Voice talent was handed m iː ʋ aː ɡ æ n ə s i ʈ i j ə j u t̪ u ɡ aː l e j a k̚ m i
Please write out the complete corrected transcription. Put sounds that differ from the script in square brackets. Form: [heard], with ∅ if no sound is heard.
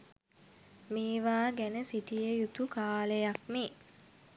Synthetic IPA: m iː ʋ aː ɡ æ n ə s i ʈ i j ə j u t̪ u [k] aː l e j a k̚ m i

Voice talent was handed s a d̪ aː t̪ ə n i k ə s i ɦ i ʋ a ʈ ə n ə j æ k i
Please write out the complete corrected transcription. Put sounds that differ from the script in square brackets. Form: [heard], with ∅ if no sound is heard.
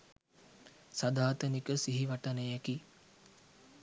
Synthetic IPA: s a d̪ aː t̪ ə n i k ə s i ɦ i ʋ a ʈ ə n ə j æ k i

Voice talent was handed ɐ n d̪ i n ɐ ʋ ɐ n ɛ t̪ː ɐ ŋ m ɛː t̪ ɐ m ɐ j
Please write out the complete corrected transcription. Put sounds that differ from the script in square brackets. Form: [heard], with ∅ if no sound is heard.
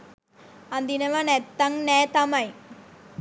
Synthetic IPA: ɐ n d̪ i n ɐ ʋ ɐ n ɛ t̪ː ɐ ŋ [n] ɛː t̪ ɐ m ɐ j

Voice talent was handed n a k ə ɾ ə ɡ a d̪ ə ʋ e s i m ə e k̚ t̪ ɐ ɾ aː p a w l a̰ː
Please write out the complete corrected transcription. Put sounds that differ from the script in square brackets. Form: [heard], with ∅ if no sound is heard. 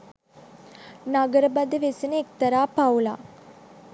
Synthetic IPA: n a [ɡ] ə ɾ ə [b] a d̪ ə ʋ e s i [n] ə e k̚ t̪ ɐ ɾ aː p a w l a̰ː

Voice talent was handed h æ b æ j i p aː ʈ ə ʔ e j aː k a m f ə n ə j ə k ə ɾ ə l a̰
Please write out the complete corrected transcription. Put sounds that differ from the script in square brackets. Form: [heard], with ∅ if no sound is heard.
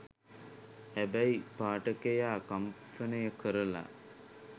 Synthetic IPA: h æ b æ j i p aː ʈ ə [k] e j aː k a m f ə n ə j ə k ə ɾ ə l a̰

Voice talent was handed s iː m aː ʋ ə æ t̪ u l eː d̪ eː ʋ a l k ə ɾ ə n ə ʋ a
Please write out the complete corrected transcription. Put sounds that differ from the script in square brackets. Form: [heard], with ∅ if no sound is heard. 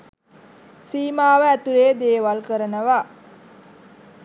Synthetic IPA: s iː m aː ʋ ə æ t̪ u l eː d̪ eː ʋ a l k ə ɾ ə n ə ʋ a

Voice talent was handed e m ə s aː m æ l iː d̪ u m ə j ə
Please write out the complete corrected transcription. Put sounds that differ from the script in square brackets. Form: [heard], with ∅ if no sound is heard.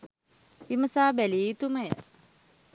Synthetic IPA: [i] m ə s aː [b] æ l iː [t̪] u m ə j ə

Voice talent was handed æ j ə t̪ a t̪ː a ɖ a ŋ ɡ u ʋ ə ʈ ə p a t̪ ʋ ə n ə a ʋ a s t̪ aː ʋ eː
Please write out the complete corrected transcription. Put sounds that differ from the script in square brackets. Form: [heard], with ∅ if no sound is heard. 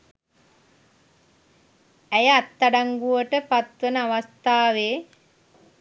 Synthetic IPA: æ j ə [∅] a t̪ː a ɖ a ŋ ɡ u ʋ ə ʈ ə p a t̪ ʋ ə n ə a ʋ a s t̪ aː ʋ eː

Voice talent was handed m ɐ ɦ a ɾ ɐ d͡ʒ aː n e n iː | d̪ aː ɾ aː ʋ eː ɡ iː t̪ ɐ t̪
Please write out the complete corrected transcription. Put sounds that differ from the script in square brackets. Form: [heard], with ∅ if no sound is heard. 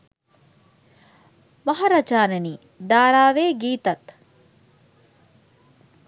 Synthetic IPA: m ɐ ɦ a ɾ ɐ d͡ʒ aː n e n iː | d̪ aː ɾ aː ʋ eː ɡ iː t̪ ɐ t̪

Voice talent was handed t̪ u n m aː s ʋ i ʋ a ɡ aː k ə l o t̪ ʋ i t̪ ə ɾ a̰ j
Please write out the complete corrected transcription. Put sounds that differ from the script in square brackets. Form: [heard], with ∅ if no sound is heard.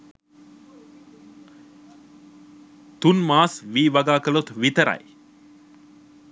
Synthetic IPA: t̪ u n m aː s ʋ [iː] ʋ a ɡ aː k ə l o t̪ ʋ i t̪ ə ɾ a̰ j

